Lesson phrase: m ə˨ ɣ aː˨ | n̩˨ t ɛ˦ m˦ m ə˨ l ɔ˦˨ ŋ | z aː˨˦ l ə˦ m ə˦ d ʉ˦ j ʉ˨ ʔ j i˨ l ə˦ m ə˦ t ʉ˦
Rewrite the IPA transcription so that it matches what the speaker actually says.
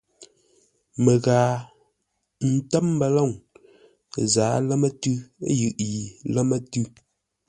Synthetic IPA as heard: m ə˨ ɣ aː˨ | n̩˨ t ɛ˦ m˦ b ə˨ l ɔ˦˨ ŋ | z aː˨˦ l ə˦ m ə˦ t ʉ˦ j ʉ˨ ʔ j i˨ l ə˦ m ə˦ t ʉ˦